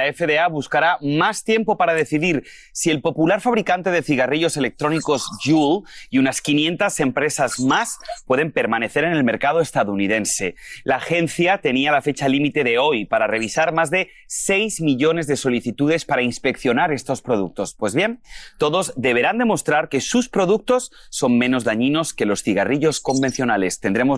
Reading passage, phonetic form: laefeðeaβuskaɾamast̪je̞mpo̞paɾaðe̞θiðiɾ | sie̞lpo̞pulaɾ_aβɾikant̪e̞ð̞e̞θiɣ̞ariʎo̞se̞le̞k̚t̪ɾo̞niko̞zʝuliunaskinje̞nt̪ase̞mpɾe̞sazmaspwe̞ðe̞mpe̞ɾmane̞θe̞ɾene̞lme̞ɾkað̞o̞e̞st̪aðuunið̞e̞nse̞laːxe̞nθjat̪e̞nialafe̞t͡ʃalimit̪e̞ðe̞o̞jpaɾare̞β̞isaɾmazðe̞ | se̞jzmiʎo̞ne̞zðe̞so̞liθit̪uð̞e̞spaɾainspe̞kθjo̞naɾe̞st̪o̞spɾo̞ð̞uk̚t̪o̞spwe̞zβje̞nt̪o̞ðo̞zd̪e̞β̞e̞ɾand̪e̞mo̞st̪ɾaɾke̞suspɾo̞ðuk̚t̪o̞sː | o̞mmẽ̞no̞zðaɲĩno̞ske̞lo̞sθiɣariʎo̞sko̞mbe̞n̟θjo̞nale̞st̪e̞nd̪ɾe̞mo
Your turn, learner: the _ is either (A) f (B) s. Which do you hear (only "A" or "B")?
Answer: A